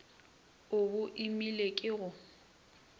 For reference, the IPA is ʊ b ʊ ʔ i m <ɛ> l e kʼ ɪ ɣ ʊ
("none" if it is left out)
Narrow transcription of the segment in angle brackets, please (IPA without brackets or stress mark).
i